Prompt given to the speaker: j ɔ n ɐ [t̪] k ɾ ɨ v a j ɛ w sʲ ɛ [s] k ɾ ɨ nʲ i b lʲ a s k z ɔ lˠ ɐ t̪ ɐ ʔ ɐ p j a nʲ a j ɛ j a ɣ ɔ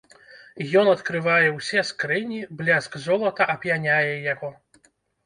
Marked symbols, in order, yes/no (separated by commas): yes, yes